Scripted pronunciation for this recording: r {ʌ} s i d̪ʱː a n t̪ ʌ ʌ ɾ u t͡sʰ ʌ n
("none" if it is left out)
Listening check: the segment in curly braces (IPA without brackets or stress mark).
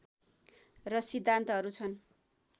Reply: ʌ